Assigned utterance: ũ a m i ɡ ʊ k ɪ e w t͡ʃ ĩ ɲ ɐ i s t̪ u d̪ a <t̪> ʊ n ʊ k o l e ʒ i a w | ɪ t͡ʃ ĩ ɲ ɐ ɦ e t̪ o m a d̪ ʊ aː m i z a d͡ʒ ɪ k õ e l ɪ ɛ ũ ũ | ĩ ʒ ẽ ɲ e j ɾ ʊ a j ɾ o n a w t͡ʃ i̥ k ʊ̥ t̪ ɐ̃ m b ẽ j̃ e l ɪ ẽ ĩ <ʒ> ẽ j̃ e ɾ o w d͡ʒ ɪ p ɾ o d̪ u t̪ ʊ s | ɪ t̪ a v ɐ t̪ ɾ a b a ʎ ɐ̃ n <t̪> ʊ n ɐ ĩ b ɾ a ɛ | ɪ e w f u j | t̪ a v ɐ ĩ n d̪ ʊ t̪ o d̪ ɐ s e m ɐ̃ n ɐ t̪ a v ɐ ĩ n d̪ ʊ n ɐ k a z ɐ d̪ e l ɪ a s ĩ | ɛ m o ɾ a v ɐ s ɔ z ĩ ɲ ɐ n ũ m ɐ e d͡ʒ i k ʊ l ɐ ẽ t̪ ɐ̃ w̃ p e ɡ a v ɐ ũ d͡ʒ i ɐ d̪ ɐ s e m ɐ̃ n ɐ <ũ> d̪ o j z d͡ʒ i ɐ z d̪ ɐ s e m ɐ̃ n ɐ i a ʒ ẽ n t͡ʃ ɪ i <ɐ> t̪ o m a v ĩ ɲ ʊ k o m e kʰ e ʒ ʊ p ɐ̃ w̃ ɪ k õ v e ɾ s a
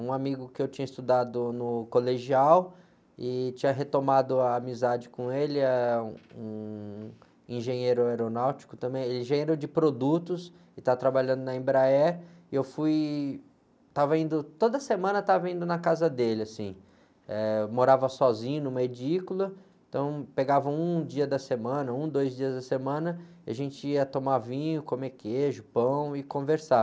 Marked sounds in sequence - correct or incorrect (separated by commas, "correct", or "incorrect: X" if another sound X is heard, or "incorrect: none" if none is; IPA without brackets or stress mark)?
incorrect: d̪, correct, incorrect: d̪, correct, correct